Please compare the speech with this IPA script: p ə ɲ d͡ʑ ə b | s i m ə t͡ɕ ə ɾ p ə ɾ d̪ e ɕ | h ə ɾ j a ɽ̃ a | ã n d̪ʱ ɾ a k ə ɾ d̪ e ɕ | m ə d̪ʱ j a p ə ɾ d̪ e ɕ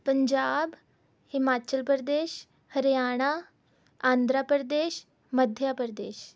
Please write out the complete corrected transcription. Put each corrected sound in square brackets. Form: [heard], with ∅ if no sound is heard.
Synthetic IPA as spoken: p ə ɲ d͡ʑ [a] b | [h] i m [a] t͡ɕ ə [l] p ə ɾ d̪ e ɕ | h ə ɾ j a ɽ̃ a | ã n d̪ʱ ɾ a [p] ə ɾ d̪ e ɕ | m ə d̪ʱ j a p ə ɾ d̪ e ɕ